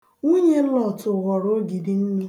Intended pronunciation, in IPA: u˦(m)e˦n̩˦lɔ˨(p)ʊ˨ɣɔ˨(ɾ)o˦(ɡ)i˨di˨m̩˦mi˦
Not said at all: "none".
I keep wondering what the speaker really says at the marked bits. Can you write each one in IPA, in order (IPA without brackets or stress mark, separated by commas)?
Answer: ɲ, t, ɾ, ɡ